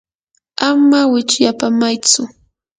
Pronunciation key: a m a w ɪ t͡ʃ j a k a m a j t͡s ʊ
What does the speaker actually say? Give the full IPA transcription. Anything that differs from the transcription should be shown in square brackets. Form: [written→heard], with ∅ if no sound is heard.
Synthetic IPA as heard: a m a w ɪ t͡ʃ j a [k→p] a m a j t͡s ʊ